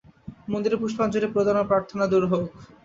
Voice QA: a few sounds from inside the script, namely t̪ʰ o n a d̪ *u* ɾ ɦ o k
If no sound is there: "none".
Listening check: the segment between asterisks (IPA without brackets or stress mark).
u